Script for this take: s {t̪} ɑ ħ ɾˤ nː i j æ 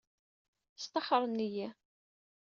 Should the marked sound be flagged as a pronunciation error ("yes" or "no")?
no